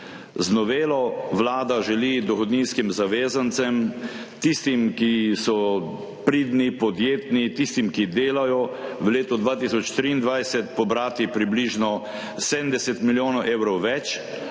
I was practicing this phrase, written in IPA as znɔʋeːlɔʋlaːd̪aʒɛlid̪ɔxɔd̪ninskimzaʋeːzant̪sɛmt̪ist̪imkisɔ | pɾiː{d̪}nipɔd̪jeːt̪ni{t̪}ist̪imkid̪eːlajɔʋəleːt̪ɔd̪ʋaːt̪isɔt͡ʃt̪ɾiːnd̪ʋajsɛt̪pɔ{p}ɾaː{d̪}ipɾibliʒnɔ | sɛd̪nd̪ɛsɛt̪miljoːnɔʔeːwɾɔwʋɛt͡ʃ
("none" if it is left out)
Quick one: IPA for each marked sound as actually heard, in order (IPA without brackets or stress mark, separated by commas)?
d̪, t̪, b, t̪